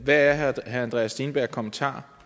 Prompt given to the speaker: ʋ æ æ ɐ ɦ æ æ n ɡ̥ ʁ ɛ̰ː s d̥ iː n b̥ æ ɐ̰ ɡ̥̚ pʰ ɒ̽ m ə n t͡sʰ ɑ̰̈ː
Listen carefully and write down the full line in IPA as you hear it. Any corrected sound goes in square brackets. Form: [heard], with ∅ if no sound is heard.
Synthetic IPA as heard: ʋ æ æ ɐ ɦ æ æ n [d̥] ʁ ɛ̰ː s d̥ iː n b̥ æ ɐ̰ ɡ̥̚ [kʰ] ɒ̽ m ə n t͡sʰ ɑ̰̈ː